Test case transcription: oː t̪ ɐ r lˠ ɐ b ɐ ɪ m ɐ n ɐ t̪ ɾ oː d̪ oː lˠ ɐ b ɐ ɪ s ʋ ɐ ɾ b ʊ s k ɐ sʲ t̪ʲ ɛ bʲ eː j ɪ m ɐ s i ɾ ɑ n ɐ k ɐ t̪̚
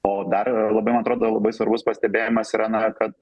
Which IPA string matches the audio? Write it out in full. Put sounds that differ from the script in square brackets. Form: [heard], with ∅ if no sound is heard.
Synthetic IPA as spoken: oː [d̪] ɐ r lˠ ɐ b ɐ ɪ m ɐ n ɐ t̪ ɾ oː d̪ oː lˠ ɐ b ɐ ɪ s ʋ ɐ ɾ b ʊ s [p] ɐ sʲ t̪ʲ ɛ bʲ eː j ɪ m ɐ s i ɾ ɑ n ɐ k ɐ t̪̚